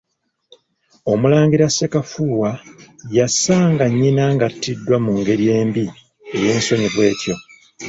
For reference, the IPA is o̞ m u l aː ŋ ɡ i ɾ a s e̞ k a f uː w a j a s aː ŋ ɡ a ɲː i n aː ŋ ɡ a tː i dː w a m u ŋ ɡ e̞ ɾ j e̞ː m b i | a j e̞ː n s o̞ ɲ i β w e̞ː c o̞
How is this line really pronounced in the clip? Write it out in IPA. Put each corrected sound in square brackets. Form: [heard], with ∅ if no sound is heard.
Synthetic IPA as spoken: o̞ m u l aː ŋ ɡ i ɾ a s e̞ k a f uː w a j a s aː ŋ ɡ a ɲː i n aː ŋ ɡ a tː i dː w a m u ŋ ɡ e̞ ɾ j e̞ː m b i | [e] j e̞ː n s o̞ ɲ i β w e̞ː c o̞